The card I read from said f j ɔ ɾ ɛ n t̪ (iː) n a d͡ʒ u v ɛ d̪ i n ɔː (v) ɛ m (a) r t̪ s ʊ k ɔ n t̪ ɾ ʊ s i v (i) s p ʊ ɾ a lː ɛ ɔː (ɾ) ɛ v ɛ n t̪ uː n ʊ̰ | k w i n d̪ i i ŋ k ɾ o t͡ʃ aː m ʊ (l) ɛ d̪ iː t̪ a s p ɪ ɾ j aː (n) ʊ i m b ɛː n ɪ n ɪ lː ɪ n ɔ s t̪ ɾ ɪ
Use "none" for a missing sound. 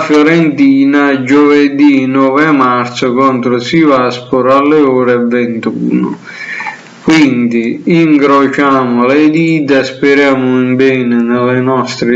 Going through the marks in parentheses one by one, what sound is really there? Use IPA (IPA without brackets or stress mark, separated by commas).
iː, v, a, a, ɾ, l, m